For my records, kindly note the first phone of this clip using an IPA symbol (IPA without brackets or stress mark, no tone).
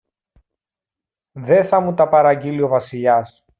ð